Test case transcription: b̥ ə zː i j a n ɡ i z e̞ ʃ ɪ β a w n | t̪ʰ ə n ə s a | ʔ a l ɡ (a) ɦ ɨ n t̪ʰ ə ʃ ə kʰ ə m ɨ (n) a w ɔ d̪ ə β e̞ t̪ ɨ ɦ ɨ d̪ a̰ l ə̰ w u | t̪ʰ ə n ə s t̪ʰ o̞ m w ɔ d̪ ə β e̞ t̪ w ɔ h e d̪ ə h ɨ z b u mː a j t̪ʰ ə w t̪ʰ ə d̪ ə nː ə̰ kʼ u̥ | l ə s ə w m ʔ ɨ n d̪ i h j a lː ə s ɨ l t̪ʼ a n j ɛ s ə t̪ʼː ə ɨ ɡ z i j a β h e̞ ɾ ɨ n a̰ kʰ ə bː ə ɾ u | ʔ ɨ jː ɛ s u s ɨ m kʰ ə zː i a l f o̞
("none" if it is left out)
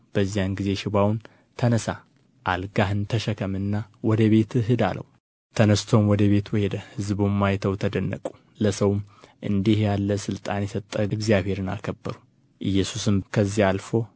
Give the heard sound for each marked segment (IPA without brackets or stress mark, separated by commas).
a, nː